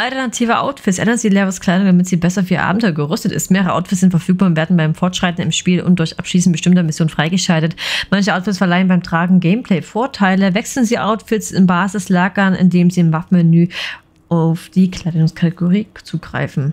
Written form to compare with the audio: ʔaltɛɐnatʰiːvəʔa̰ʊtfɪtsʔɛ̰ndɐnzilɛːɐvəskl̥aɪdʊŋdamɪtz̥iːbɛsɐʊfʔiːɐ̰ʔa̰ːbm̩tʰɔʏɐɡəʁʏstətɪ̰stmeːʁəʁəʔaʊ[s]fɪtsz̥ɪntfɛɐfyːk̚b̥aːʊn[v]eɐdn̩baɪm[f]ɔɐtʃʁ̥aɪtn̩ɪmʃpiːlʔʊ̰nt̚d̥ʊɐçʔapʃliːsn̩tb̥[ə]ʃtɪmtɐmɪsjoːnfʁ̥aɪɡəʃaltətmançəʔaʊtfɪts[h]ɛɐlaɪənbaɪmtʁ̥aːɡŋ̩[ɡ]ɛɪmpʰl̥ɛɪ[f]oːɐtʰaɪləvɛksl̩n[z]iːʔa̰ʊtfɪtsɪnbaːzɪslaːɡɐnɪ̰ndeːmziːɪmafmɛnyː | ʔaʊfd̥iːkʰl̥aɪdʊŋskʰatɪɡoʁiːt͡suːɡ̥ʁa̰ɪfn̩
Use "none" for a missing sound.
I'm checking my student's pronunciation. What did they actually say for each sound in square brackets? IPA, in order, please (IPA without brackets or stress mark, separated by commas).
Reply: t, v, f, ə, f, ɡ, f, z